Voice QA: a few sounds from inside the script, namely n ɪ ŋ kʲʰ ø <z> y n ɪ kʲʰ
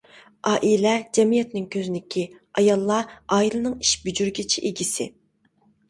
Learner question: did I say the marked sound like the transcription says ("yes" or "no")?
yes